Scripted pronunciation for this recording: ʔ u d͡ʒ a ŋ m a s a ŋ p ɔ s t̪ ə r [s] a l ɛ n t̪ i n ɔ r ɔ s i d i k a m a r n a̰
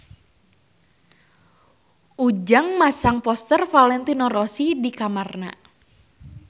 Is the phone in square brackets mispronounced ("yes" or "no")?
yes